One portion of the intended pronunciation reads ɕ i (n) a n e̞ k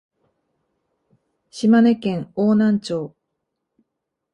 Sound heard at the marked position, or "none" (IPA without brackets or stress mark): m